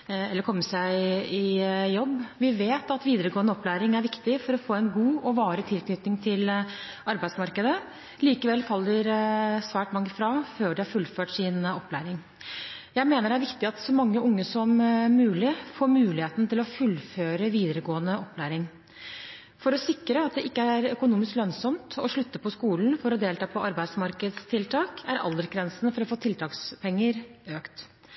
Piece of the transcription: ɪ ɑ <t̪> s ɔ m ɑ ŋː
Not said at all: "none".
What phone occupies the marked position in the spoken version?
t̪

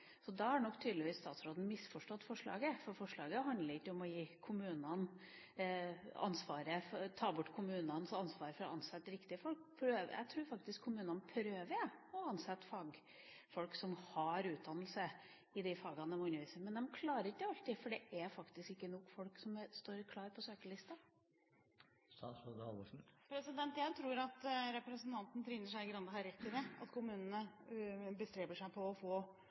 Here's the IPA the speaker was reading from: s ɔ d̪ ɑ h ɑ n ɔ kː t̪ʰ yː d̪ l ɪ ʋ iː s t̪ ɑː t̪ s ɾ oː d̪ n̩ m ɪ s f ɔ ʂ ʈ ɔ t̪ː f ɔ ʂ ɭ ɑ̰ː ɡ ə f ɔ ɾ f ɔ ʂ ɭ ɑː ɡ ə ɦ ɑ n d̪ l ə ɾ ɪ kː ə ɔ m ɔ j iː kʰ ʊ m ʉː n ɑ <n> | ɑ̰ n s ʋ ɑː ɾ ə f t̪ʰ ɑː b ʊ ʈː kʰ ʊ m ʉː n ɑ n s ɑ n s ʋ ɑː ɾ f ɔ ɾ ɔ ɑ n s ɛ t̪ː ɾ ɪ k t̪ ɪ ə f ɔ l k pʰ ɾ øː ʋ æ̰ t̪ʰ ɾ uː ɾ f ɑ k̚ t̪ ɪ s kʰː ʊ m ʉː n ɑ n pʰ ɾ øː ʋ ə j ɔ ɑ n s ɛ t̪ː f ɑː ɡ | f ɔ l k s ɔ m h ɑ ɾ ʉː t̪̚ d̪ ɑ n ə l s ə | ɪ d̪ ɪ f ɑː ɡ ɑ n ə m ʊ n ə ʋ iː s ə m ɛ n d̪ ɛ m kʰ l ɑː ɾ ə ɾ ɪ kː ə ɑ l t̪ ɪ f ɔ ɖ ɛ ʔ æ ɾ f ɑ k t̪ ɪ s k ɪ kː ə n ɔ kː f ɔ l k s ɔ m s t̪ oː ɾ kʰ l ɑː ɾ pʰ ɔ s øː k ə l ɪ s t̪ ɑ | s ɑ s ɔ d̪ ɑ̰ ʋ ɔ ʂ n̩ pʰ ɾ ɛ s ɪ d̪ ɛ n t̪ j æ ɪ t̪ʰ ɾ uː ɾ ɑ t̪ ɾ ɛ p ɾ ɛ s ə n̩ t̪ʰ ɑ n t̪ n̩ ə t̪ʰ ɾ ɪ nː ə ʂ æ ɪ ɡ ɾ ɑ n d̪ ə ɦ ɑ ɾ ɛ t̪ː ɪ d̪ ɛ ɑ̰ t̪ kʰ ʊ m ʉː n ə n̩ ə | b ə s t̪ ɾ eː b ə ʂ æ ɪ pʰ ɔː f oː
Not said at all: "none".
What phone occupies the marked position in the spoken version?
n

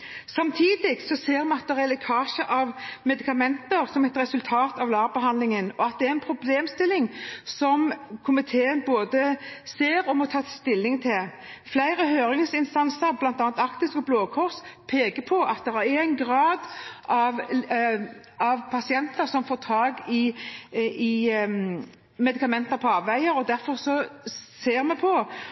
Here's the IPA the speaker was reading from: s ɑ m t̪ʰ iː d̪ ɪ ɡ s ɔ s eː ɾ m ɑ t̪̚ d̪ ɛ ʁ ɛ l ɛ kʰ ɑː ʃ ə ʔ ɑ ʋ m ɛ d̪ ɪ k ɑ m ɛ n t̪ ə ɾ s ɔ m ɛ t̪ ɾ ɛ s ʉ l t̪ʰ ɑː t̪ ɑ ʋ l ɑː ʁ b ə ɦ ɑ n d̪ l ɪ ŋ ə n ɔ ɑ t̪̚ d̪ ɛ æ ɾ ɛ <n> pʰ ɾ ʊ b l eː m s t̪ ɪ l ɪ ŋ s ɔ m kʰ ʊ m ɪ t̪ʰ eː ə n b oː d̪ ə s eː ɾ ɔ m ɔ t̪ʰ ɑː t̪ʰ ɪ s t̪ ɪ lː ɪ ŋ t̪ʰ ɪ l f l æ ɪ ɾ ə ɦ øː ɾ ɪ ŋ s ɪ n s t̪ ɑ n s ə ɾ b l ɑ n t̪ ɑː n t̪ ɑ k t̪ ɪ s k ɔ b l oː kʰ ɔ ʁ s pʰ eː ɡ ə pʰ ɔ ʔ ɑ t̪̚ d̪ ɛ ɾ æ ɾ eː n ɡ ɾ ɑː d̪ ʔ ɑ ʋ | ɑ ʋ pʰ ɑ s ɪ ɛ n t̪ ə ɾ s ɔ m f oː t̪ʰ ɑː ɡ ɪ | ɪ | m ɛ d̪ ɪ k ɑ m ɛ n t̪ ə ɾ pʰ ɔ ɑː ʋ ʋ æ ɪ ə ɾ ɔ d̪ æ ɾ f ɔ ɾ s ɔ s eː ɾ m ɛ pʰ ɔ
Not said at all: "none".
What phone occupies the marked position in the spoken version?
n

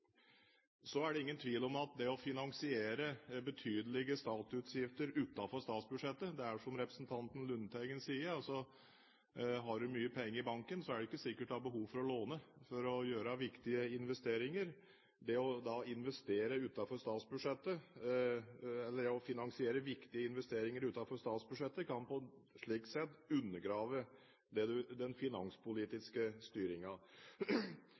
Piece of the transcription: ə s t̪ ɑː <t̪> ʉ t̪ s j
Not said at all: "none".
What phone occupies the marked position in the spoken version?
t̪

